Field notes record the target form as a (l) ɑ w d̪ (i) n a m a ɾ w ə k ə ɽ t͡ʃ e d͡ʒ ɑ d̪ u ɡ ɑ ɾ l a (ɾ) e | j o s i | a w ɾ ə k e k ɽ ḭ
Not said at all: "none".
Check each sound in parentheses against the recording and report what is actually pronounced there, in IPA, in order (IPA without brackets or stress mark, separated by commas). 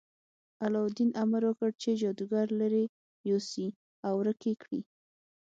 l, i, ɾ